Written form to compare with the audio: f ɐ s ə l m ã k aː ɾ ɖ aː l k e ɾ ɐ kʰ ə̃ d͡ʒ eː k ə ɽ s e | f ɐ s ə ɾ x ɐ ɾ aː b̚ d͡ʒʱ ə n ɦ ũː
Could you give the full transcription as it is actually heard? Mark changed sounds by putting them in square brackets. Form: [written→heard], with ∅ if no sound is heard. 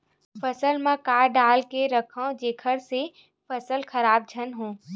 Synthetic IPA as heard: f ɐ s ə l m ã k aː ɾ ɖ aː l k e ɾ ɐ kʰ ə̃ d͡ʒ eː [k→kʰ] ə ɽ s e | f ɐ s ə [ɾ→l] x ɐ ɾ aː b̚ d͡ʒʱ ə n ɦ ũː

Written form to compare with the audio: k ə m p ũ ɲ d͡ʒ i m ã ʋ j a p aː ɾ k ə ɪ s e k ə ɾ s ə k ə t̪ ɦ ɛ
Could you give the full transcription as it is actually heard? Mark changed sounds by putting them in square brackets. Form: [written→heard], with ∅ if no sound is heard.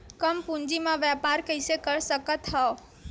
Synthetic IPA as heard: k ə m p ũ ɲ d͡ʒ i m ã ʋ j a p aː ɾ k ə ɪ s e k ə ɾ s ə k ə t̪ ɦ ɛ

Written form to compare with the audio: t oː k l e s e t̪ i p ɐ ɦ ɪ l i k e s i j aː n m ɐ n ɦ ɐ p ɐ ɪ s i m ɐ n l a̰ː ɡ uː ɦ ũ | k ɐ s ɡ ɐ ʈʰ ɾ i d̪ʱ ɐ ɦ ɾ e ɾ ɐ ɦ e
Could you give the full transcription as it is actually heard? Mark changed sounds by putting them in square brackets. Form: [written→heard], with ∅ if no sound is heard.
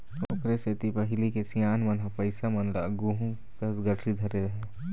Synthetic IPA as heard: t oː k [l→ɾ] e s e t̪ i p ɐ ɦ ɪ l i k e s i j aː n m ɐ n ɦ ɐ p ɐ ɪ s [i→a] m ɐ n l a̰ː ɡ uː ɦ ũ | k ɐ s ɡ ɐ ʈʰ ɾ i d̪ʱ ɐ [ɦ→∅] ɾ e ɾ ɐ ɦ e

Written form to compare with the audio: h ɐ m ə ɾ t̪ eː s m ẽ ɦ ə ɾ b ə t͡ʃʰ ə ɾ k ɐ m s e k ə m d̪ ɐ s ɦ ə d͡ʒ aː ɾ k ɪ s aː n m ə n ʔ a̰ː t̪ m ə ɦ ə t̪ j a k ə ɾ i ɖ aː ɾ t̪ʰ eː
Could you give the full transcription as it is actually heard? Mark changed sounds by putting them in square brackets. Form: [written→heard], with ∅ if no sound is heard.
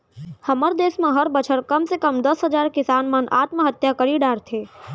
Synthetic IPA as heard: h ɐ m ə ɾ [t̪→d̪] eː s m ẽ ɦ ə ɾ b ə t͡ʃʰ ə ɾ k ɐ m s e k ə m d̪ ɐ s ɦ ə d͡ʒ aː ɾ k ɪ s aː n m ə n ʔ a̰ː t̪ m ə ɦ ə t̪ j a k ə ɾ i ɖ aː ɾ t̪ʰ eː

